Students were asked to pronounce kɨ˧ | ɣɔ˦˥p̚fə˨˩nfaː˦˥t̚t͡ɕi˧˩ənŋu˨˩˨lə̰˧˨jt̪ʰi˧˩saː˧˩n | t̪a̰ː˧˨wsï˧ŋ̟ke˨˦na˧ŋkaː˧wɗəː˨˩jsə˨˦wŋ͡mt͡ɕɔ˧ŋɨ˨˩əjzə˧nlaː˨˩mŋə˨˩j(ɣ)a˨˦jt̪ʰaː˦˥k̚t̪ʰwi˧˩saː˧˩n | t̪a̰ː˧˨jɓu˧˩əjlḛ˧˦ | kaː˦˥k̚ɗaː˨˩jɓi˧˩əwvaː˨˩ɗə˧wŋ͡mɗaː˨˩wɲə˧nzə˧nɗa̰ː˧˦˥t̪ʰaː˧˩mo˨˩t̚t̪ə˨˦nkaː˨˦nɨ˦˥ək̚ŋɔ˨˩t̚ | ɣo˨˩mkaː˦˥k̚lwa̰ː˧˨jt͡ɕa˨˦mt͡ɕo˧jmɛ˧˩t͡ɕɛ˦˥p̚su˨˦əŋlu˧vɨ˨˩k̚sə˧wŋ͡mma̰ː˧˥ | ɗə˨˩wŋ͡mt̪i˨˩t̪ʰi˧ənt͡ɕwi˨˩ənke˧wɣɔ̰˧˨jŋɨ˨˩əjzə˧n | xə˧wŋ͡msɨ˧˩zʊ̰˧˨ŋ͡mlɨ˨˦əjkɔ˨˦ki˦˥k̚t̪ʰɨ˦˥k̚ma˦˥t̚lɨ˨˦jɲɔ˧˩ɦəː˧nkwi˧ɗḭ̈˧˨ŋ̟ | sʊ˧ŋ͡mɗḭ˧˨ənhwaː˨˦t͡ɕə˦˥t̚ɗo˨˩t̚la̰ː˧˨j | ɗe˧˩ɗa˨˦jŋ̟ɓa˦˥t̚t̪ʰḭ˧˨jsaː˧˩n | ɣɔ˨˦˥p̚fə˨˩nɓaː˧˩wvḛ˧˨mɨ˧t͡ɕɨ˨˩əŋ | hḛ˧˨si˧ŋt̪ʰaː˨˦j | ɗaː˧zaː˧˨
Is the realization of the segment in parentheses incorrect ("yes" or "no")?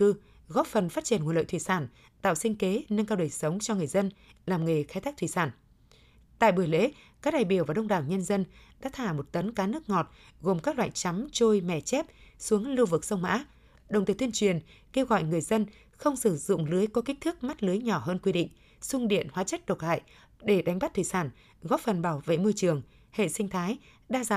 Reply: yes